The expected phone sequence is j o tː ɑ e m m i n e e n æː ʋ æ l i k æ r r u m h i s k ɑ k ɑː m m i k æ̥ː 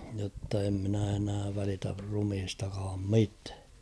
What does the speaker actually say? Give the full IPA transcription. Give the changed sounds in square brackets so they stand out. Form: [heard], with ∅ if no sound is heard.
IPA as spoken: j o tː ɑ e m m i n [æ] e n æː ʋ æ l i [t] æ r r u m h i s [t] ɑ k ɑː m m i [t] æ̥ː